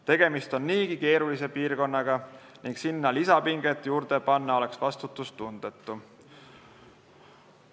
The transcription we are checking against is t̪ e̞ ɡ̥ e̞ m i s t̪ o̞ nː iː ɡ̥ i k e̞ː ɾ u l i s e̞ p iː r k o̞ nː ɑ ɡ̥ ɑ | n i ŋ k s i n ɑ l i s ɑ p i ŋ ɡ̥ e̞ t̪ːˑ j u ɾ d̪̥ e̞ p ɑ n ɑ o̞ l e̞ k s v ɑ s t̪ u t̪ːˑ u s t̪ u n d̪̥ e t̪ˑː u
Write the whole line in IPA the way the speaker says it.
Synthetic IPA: t̪ e̞ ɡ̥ e̞ m i s t̪ o̞ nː iː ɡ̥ i k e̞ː ɾ u l i s e̞ p iː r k o̞ nː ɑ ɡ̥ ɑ | n i ŋ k s i nː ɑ l i s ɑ p i ŋ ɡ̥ e̞ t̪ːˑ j uː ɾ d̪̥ e̞ p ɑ nː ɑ o̞ l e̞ k s v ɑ s t̪ u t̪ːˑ u s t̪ u n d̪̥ e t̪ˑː u